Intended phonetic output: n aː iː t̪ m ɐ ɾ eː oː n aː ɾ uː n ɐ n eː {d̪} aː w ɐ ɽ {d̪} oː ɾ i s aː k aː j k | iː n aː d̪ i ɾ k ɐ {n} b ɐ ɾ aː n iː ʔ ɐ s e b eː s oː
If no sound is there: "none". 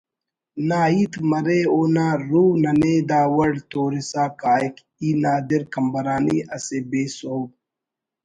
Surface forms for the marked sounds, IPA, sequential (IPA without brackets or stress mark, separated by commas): d̪, t̪, m